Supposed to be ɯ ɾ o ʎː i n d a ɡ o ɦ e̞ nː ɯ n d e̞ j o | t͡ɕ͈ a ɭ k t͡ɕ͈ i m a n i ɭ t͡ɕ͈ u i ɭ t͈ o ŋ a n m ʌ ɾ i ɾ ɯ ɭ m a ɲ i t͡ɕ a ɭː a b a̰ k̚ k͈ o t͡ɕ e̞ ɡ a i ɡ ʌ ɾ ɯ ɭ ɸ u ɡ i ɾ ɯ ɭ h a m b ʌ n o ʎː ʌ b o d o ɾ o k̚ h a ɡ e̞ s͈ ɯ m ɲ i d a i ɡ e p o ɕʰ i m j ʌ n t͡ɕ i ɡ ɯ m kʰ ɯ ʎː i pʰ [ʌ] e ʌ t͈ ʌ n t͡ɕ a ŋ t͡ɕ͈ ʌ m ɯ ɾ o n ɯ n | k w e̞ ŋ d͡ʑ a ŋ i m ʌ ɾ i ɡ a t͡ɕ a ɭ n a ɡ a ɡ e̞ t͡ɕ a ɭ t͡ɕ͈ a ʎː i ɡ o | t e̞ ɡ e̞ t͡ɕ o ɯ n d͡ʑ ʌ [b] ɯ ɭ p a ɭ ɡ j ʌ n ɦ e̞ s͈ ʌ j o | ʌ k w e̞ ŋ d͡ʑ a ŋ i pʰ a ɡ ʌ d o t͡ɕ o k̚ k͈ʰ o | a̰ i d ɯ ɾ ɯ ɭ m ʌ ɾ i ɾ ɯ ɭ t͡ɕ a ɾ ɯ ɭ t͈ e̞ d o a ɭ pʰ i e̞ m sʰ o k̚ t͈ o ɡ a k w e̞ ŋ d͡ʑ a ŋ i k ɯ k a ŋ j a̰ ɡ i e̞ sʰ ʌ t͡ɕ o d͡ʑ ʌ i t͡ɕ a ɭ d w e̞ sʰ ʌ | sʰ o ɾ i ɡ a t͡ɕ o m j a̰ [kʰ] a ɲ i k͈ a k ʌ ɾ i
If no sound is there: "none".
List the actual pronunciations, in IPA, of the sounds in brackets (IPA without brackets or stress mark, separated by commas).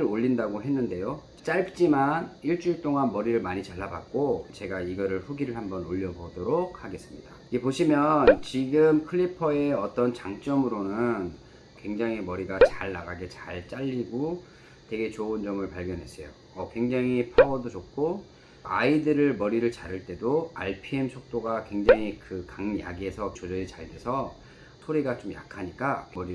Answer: ʌ, m, kʰ